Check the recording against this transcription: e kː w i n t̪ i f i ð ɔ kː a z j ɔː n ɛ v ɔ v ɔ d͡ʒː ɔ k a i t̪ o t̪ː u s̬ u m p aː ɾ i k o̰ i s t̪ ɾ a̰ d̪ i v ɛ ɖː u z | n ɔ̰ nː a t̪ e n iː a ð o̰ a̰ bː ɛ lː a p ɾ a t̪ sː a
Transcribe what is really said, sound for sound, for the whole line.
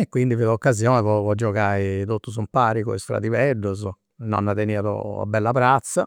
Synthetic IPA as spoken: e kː w i n d̪ i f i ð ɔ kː a z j ɔː n ɛ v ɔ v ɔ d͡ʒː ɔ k a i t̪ o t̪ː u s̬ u m p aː ɾ i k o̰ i s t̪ ɾ a̰ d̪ i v ɛ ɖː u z | n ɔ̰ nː a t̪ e n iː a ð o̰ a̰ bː ɛ lː a p ɾ a t̪ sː a